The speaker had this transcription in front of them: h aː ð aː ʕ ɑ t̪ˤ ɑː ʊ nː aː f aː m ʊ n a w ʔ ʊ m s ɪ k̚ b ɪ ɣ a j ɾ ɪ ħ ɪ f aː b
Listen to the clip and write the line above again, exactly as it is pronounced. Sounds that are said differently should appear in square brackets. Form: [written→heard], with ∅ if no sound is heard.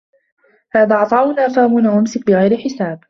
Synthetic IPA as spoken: h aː ð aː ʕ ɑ t̪ˤ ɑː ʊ [nː→n] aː f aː m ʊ n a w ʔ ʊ m s ɪ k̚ b ɪ ɣ a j ɾ ɪ ħ ɪ [f→s] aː b